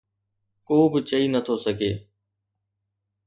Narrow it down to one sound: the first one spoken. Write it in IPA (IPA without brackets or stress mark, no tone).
k